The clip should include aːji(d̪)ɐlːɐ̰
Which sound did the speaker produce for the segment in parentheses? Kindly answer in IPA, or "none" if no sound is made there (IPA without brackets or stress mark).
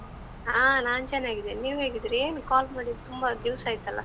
t̪